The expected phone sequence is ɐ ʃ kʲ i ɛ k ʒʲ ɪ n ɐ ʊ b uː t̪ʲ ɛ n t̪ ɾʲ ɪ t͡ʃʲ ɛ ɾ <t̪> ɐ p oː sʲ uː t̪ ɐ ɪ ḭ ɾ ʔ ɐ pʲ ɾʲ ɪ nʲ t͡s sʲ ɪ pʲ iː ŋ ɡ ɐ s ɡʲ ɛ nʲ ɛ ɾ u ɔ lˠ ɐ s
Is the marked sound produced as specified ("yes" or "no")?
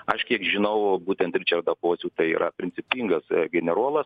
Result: no